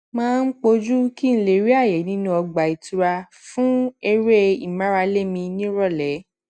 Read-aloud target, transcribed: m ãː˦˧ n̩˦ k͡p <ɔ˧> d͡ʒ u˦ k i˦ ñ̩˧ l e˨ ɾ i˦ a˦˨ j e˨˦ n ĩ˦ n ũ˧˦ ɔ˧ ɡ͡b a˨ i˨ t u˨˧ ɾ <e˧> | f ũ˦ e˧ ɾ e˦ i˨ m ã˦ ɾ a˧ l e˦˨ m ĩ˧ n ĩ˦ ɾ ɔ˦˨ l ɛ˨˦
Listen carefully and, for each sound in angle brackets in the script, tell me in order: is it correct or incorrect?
incorrect, incorrect

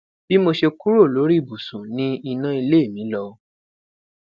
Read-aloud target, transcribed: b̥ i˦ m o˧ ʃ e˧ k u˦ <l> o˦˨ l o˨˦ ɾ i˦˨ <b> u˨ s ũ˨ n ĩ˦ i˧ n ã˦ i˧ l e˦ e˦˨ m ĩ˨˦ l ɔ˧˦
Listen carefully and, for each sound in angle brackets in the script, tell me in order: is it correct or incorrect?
incorrect, correct

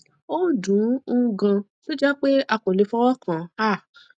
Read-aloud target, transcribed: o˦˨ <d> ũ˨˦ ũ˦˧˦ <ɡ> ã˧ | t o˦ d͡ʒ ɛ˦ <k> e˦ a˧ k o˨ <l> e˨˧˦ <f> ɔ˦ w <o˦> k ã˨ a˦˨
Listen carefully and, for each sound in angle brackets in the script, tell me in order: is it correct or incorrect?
correct, correct, incorrect, correct, correct, incorrect

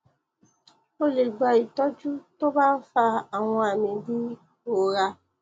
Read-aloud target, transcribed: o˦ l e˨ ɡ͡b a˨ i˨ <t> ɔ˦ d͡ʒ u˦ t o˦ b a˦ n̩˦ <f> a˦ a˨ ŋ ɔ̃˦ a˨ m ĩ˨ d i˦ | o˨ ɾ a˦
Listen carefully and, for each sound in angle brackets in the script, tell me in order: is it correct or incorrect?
correct, correct

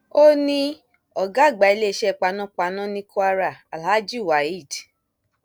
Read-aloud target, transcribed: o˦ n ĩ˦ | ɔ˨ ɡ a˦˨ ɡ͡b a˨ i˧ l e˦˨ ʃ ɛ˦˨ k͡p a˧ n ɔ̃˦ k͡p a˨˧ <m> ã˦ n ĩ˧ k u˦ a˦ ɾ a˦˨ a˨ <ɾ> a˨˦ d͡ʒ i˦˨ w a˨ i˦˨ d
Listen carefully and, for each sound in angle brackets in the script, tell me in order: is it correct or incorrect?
incorrect, incorrect

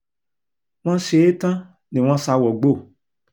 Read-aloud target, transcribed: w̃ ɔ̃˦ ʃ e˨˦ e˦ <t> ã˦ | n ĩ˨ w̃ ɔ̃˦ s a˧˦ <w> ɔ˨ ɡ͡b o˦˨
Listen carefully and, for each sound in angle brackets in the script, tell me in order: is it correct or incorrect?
correct, correct

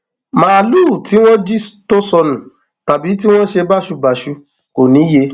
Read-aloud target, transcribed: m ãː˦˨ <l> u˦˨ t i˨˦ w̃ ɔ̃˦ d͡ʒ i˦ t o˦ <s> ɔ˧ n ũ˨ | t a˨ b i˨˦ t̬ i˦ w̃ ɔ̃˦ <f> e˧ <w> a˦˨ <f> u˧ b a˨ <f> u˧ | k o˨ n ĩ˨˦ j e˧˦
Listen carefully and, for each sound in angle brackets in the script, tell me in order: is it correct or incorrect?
correct, correct, incorrect, incorrect, incorrect, incorrect

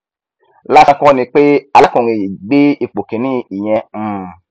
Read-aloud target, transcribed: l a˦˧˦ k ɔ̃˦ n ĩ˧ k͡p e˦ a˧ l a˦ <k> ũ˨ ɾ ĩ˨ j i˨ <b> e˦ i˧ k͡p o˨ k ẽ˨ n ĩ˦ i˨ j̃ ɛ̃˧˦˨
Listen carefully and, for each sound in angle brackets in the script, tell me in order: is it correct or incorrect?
correct, incorrect

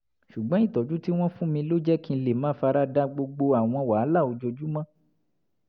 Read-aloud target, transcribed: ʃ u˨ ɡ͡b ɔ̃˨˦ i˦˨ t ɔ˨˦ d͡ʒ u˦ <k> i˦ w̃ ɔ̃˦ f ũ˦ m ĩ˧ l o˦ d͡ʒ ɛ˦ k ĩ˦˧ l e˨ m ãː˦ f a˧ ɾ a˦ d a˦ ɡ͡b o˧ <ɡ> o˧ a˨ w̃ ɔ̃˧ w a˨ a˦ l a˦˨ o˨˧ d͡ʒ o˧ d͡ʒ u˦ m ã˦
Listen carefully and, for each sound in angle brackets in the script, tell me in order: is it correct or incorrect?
incorrect, incorrect

